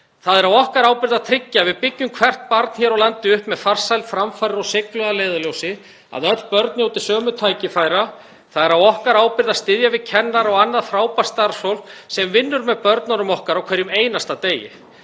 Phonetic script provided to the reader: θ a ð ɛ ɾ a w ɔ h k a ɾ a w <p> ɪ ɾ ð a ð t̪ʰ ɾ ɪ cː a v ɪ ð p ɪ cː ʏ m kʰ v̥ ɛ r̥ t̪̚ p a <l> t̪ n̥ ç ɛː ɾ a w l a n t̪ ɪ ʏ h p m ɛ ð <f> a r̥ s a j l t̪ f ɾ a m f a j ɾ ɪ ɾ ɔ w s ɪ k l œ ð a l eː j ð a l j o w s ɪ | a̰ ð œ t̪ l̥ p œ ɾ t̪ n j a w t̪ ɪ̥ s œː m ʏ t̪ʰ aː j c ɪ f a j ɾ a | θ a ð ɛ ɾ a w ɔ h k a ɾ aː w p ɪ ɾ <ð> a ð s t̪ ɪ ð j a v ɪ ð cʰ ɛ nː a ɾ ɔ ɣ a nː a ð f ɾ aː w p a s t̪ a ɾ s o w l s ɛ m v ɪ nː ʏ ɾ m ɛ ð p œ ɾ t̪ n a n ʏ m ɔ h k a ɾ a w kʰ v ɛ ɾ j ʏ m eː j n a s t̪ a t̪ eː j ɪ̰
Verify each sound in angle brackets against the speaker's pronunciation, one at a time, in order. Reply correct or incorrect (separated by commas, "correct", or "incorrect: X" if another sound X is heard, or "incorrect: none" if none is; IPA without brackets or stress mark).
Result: correct, incorrect: ɾ, correct, correct